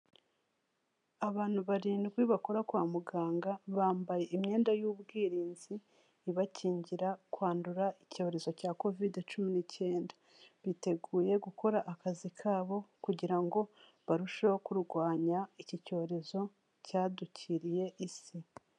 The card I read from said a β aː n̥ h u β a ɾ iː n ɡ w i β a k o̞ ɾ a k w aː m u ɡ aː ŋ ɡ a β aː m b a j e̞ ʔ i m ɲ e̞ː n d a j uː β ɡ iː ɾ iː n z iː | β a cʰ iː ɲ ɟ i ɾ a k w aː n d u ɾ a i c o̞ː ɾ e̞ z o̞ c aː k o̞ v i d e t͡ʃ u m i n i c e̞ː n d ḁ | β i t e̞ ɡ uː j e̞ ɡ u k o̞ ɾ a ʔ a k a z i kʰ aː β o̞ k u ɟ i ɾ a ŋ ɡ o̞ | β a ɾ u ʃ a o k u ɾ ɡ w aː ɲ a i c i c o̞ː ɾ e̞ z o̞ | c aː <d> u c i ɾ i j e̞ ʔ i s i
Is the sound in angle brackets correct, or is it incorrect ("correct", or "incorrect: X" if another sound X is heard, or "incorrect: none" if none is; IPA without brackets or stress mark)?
correct